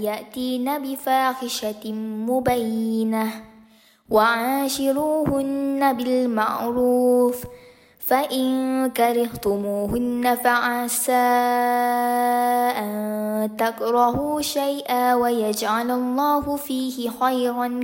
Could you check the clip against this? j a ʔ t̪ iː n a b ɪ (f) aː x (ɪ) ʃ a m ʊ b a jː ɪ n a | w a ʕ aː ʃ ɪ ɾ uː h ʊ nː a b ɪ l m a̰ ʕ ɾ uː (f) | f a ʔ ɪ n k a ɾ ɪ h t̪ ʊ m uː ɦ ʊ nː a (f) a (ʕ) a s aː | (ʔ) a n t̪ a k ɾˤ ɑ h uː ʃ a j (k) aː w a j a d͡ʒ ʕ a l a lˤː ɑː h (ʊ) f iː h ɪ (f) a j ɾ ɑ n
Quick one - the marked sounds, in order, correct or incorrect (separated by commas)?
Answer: correct, correct, correct, correct, correct, correct, incorrect, correct, incorrect